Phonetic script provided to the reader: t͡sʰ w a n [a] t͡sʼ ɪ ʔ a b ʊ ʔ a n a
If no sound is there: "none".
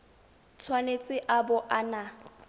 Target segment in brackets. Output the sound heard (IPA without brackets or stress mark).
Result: e